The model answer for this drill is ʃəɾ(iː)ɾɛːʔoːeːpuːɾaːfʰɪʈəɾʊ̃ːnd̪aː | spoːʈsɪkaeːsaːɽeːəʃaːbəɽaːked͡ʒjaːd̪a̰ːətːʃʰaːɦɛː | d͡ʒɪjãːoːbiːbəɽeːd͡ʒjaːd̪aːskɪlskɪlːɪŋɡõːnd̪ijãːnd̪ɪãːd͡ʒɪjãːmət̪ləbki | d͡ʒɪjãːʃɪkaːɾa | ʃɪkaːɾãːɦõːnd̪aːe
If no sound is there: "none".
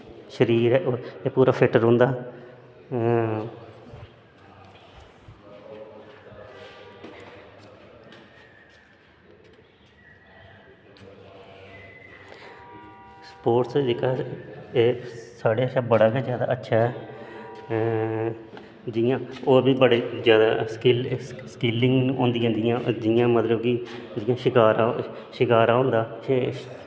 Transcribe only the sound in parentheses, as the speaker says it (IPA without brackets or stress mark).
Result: iː